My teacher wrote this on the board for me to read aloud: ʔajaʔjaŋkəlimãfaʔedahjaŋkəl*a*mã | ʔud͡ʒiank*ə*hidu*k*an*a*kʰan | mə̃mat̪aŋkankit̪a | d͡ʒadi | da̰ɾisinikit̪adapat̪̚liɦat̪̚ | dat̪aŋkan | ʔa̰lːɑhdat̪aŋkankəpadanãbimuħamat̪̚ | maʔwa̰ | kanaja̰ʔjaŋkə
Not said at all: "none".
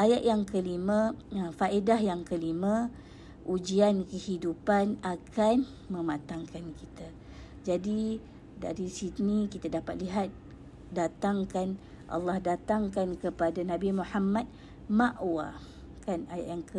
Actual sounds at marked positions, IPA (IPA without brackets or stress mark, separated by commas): i, ə, p, a